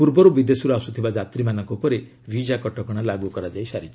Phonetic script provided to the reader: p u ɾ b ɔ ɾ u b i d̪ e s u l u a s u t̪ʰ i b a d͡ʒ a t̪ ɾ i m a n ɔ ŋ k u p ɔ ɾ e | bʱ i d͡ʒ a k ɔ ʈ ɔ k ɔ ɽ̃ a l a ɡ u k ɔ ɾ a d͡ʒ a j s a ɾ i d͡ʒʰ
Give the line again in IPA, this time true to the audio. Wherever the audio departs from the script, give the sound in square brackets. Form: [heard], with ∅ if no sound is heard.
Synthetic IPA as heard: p u ɾ b ɔ ɾ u b i d̪ e s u [ɾ] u a s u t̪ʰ i b a d͡ʒ a t̪ ɾ i m a n ɔ ŋ k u p ɔ ɾ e | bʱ i d͡ʒ a k ɔ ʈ ɔ k ɔ ɽ̃ a l a ɡ u k ɔ ɾ a d͡ʒ a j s a ɾ i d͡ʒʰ